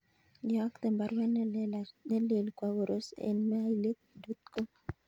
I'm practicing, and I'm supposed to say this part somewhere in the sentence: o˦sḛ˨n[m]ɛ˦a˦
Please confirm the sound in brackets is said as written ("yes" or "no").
yes